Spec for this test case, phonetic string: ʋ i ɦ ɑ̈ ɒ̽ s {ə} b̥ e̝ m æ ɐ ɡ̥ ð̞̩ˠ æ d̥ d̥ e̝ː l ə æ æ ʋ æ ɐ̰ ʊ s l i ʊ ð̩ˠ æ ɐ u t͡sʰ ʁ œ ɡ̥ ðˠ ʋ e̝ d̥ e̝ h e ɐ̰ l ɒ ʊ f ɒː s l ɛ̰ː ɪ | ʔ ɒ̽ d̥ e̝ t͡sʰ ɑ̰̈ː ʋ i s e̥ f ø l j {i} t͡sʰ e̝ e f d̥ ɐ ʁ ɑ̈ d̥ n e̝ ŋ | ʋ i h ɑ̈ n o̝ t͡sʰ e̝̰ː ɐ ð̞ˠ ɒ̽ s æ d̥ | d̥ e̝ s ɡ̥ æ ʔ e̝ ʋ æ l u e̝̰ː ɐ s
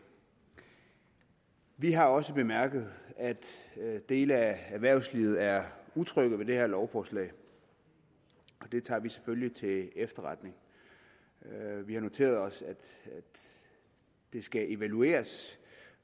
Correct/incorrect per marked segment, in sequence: correct, correct

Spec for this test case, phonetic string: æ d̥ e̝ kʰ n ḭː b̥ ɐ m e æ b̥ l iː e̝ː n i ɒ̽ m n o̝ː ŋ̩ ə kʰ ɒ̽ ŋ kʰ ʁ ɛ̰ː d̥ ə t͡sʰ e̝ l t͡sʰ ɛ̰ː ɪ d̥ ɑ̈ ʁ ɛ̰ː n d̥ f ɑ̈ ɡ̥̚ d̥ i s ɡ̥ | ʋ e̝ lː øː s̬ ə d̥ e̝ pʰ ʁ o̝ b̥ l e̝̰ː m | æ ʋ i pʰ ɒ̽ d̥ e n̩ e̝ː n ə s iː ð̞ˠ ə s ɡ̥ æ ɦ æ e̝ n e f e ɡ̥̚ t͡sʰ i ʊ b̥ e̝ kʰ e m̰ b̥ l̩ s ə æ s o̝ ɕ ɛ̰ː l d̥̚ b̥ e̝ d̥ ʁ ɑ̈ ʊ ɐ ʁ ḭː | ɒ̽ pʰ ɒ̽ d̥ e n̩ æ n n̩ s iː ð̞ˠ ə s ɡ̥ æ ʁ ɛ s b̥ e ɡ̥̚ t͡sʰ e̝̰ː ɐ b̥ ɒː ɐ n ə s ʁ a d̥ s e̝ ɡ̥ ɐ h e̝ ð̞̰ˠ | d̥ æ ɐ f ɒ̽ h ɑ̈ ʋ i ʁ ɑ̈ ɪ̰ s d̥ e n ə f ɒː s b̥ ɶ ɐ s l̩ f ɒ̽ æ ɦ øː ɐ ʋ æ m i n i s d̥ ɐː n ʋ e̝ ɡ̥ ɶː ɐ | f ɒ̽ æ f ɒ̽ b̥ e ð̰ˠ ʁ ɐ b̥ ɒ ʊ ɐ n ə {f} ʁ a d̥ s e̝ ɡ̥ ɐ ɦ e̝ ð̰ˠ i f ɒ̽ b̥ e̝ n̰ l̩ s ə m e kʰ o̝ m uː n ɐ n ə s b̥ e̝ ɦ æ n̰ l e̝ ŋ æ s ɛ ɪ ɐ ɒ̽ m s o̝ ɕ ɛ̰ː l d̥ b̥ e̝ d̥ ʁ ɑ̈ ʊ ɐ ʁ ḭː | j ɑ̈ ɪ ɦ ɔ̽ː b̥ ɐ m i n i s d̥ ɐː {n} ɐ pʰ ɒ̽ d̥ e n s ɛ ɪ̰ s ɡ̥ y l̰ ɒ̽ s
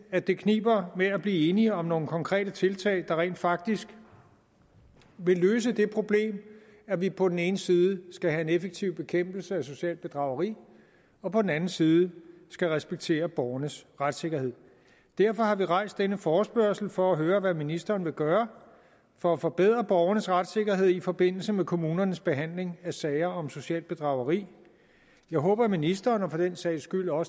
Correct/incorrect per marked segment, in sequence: incorrect, correct

